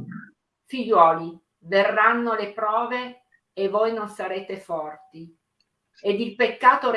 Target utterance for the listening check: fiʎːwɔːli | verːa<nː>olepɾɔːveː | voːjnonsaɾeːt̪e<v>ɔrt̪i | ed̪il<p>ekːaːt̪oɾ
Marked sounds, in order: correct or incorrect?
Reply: correct, incorrect: f, correct

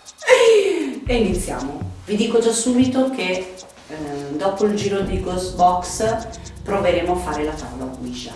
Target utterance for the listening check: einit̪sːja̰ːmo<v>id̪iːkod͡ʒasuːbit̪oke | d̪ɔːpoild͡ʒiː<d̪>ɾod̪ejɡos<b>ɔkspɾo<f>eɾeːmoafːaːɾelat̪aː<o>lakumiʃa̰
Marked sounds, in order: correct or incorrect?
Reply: correct, incorrect: none, correct, incorrect: v, correct

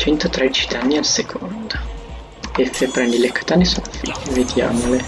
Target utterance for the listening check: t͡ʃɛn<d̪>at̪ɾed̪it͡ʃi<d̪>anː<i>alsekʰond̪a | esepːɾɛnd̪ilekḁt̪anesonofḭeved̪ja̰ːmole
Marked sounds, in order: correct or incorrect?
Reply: incorrect: t̪, correct, correct

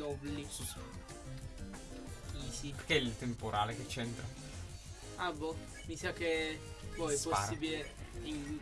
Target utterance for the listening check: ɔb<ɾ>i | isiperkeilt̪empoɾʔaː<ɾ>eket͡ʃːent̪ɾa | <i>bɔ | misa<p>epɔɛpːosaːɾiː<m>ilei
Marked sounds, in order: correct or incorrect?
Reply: incorrect: l, incorrect: l, incorrect: a, incorrect: k, incorrect: b

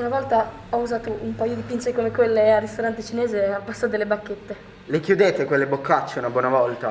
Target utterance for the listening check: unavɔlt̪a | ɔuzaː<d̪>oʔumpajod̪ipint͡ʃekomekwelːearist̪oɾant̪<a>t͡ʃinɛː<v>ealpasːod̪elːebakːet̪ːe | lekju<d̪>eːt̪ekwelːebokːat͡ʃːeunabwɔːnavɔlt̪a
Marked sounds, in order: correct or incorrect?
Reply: incorrect: t̪, incorrect: e, incorrect: z, correct

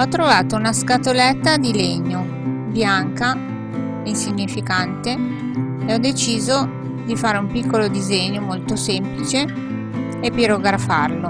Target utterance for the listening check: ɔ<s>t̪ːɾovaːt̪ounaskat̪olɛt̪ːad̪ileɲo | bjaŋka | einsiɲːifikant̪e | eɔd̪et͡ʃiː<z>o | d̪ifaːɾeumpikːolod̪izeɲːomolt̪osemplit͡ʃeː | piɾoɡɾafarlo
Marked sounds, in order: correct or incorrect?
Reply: incorrect: none, correct

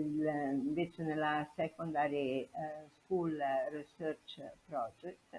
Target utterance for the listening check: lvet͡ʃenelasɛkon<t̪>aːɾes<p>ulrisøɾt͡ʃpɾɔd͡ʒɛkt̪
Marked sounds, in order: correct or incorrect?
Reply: incorrect: d̪, incorrect: k

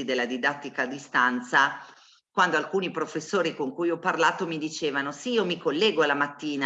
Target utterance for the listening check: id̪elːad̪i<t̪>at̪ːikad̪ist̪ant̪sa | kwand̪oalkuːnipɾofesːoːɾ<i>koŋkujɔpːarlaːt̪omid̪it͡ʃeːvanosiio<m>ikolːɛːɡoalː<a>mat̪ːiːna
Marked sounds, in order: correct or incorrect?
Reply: incorrect: d̪, correct, correct, correct

